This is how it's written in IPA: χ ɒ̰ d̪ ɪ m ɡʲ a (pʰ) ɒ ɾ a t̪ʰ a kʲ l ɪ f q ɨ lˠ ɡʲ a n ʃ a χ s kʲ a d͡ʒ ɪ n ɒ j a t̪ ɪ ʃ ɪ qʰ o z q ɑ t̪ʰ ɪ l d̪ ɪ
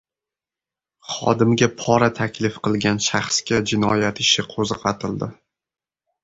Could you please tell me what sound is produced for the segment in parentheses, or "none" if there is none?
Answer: pʰ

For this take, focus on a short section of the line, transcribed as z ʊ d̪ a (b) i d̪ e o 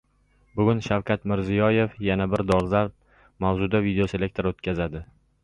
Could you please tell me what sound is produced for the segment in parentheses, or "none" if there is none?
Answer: v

